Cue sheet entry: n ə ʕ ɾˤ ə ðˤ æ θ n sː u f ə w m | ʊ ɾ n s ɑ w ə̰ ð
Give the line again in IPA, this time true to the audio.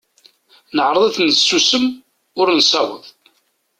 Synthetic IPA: n ə ʕ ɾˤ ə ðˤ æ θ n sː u s ə m | ʊ ɾ n s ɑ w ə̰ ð